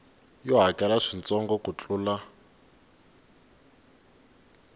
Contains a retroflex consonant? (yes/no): yes